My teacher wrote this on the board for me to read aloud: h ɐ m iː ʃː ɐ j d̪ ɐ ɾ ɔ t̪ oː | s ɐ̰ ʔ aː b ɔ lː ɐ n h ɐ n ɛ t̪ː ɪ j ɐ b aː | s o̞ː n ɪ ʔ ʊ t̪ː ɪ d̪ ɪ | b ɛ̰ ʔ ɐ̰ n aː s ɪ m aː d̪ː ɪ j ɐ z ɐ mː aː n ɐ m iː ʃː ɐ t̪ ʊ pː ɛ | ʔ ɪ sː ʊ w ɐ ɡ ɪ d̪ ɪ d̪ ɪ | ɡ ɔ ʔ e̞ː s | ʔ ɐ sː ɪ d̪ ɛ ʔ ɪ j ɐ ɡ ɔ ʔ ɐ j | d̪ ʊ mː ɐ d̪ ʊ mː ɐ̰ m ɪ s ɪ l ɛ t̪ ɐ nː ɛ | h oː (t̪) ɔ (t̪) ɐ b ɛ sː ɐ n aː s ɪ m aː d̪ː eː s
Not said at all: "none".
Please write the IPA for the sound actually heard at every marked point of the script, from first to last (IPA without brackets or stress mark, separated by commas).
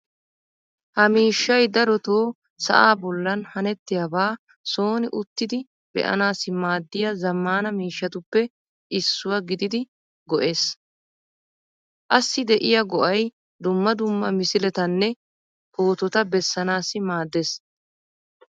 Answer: t̪, t̪